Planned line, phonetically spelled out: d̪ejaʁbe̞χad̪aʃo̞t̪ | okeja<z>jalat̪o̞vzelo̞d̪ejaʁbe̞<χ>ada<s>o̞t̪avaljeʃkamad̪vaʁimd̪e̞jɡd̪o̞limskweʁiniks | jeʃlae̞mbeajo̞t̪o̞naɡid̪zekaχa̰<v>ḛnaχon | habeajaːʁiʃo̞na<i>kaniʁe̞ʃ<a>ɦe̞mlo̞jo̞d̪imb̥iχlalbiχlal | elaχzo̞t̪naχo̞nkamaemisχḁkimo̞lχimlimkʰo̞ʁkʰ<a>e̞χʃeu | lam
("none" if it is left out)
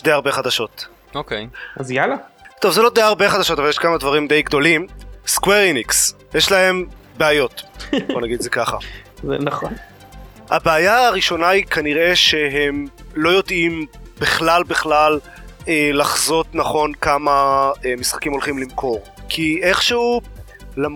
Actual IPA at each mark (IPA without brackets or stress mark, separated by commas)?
z, χ, ʃ, z, i, e, i